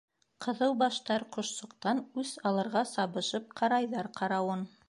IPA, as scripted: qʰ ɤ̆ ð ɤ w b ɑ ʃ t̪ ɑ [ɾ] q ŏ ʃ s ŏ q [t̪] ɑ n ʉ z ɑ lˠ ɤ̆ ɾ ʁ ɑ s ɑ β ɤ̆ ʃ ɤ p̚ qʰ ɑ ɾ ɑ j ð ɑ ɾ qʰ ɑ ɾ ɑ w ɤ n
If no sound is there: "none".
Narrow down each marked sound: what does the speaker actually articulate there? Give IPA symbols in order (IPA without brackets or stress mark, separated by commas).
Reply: ɾ, t̪